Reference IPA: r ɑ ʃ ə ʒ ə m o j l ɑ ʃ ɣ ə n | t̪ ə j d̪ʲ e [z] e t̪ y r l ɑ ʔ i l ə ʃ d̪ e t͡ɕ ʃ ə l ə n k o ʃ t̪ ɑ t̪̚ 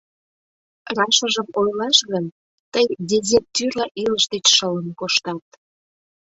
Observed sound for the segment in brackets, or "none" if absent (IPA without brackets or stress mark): z